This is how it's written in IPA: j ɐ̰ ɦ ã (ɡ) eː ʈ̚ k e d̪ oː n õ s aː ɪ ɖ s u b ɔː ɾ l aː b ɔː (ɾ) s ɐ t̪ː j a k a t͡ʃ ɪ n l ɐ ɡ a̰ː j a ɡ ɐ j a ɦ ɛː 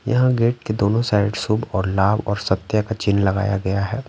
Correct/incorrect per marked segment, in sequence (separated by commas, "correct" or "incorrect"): correct, correct